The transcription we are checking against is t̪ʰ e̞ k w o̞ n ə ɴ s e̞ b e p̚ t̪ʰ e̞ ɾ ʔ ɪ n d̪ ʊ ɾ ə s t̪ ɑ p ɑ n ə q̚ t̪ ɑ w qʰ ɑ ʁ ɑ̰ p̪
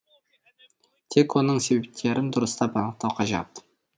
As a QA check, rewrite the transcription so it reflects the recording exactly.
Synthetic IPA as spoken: t̪ʰ e̞ k w o̞ n ə ɴ s e̞ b e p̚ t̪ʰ e̞ ɾ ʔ ɪ n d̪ ʊ ɾ ə s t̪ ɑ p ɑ n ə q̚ t̪ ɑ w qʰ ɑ ʒ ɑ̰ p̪